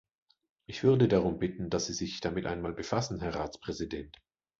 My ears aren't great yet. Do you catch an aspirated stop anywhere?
no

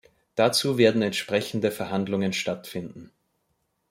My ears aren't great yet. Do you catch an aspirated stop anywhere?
no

